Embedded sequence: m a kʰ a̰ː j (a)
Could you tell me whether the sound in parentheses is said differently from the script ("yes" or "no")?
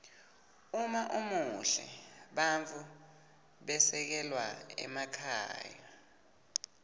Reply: no